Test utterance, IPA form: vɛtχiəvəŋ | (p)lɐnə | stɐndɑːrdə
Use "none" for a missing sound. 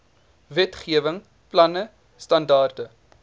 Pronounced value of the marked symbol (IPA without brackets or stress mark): p